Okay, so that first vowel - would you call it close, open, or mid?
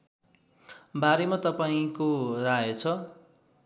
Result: open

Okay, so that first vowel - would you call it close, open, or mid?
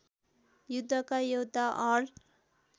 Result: close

